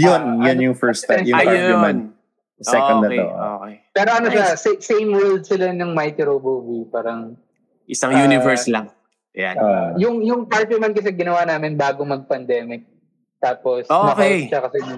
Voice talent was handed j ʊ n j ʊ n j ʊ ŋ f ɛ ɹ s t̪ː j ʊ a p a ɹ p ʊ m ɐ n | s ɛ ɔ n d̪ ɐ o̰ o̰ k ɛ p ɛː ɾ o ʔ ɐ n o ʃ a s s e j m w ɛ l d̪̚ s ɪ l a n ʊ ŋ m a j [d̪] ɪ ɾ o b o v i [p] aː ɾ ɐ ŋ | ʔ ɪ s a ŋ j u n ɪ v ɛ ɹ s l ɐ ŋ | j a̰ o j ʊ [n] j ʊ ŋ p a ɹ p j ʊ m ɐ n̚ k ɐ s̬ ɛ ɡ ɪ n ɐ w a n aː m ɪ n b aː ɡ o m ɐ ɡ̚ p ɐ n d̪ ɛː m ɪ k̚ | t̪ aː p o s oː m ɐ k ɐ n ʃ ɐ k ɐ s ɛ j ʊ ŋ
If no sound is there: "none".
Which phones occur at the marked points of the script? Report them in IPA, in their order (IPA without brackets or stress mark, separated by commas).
t̪, p, ŋ